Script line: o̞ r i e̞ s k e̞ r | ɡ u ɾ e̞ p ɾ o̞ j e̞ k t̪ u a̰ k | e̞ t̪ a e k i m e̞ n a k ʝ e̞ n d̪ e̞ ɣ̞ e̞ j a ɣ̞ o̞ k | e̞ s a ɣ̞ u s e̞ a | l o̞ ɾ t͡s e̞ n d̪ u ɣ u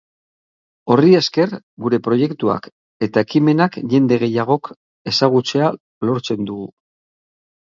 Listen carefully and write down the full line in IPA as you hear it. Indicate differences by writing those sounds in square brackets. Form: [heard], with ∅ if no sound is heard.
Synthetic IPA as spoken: o̞ r i e̞ s k e̞ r | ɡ u ɾ e̞ p ɾ o̞ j e̞ k t̪ u a̰ k | e̞ t̪ a e k i m e̞ n a k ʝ e̞ n d̪ e̞ ɣ̞ e̞ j a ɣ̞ o̞ k | e̞ s a ɣ̞ u [t͡s] e̞ a | l o̞ ɾ t͡s e̞ n d̪ u ɣ u